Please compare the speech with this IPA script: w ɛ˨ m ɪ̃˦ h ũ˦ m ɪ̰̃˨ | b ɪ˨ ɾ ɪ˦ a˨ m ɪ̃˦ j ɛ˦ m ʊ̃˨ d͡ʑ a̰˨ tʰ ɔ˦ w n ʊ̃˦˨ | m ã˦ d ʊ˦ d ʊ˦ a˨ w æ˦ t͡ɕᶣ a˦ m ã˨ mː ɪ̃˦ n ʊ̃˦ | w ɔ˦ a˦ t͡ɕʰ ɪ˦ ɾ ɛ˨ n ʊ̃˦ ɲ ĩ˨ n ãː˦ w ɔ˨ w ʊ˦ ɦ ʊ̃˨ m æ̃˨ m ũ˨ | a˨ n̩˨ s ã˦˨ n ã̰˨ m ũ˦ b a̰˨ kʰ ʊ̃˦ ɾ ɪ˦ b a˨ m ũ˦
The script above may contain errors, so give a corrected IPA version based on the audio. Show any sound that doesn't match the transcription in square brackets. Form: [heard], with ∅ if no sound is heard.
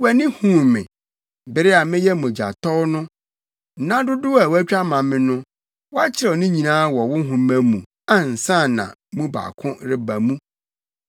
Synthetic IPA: w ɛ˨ [n] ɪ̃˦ h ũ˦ m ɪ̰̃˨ | b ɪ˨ ɾ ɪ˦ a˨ m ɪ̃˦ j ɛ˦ m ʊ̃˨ d͡ʑ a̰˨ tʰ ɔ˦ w n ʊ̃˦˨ | [n] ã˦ d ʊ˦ d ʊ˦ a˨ w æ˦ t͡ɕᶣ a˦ m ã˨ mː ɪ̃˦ n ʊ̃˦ | w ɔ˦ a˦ t͡ɕʰ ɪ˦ ɾ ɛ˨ n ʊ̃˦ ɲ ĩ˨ n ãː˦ w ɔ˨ w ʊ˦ ɦ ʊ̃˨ m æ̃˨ m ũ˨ | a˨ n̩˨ s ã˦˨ n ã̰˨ m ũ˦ b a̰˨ kʰ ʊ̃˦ ɾ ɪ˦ b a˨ m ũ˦